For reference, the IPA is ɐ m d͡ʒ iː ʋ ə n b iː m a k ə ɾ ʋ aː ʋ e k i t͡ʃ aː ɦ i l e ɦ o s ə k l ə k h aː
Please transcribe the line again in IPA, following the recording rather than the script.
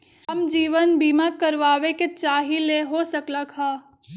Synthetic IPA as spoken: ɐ m d͡ʒ iː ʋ ə n b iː m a k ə ɾ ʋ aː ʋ e k e t͡ʃ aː ɦ i l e ɦ o s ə k l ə k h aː